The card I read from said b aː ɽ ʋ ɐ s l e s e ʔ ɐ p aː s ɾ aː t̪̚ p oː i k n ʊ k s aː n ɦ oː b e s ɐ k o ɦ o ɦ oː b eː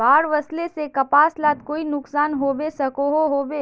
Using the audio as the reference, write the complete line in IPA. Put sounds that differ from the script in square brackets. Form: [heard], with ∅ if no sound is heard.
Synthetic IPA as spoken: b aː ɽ ʋ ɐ s l e s e [k] ɐ p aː s [l] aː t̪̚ [k] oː i [∅] n ʊ k s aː n ɦ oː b e s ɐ k o ɦ o ɦ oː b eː